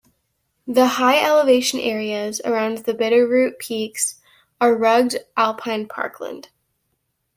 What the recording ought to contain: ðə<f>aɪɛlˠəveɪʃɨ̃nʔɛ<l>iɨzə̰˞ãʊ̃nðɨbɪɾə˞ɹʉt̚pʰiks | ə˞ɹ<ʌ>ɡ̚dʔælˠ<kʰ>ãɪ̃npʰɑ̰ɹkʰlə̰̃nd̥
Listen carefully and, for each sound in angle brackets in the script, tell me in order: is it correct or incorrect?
incorrect: h, incorrect: ɹ, correct, incorrect: pʰ

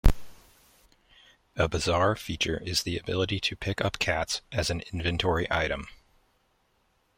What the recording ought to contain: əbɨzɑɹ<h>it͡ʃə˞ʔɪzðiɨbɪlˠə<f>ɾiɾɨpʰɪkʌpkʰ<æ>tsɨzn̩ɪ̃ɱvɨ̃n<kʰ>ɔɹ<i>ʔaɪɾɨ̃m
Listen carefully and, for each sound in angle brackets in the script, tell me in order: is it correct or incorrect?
incorrect: f, incorrect: none, correct, incorrect: tʰ, correct

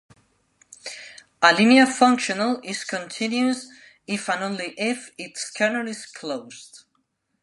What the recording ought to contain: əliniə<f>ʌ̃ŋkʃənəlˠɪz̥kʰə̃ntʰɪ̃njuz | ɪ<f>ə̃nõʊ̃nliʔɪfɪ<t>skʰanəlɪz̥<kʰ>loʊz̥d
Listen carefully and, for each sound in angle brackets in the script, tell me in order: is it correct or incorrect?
correct, correct, correct, correct

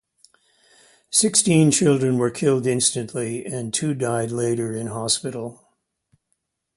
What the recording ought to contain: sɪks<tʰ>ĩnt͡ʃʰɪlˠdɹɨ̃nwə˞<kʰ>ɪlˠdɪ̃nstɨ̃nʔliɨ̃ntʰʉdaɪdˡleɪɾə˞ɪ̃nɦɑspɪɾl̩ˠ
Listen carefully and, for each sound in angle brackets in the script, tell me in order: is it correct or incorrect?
incorrect: t, correct

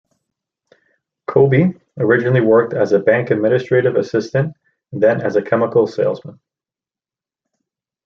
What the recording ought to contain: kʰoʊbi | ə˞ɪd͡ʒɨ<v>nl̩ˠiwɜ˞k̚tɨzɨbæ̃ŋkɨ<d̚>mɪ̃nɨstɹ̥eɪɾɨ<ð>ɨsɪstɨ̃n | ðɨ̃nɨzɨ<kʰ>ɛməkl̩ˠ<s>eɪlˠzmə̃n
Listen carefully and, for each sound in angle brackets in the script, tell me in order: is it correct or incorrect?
incorrect: none, correct, incorrect: v, correct, correct

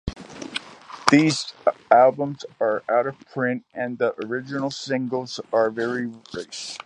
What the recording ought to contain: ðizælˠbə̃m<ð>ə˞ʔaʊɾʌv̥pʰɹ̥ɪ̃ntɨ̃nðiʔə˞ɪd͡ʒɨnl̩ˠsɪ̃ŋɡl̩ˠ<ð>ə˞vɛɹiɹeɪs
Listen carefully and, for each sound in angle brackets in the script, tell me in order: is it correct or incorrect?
incorrect: z, incorrect: z

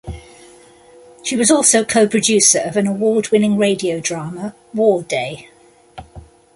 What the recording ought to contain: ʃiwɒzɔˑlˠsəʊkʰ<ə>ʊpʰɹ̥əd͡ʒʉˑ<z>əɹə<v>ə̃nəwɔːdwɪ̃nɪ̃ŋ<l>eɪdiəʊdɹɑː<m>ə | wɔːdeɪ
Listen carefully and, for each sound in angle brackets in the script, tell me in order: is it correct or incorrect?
correct, incorrect: s, correct, incorrect: ɹ, correct

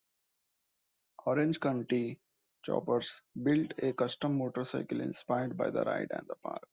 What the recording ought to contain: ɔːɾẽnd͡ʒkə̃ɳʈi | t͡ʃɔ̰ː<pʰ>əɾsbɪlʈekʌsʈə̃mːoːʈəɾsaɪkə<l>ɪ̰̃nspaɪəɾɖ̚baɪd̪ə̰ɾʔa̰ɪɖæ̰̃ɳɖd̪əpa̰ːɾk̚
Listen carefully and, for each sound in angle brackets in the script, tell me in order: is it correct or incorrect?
incorrect: p, correct

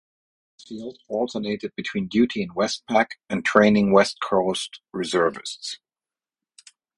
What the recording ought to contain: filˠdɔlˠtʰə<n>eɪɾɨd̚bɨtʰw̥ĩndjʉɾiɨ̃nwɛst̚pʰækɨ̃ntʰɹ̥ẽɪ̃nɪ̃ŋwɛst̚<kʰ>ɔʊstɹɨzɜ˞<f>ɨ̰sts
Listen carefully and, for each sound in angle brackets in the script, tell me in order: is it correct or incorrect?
correct, correct, incorrect: v

